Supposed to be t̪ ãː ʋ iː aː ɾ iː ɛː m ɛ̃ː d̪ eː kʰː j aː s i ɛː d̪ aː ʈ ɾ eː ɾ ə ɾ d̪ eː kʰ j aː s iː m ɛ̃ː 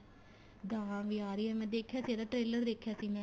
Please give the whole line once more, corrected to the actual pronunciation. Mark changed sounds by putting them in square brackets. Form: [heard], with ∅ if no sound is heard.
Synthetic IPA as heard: [d̪] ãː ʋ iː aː ɾ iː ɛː m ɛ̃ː d̪ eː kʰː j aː s i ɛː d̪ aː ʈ ɾ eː [l] ə ɾ d̪ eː kʰ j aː s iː m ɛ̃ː